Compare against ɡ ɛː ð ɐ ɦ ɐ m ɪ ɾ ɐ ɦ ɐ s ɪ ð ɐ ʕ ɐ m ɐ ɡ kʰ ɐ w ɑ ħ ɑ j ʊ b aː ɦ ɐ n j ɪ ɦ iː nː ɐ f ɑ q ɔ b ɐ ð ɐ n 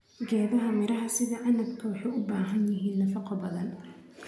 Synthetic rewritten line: ɡ ɛː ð ɐ ɦ ɐ m ɪ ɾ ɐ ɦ ɐ s ɪ ð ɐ ʕ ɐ n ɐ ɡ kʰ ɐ w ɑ ħ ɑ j ʊ b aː ɦ ɐ n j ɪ ɦ iː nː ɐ f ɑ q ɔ b ɐ ð ɐ n